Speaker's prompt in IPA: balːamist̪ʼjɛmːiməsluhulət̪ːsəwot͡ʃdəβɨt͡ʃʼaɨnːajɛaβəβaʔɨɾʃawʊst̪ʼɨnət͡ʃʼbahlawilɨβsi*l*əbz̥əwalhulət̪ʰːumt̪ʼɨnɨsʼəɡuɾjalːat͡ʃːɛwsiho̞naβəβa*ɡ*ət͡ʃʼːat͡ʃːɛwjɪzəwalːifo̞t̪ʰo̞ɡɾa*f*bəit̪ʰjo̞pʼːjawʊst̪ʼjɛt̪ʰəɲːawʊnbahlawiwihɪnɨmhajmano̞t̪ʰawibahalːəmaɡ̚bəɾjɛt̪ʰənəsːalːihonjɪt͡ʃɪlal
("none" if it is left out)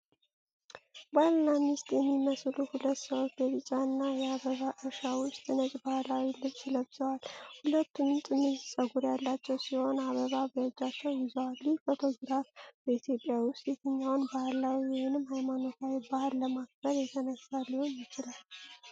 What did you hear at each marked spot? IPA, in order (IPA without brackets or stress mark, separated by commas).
l, b, f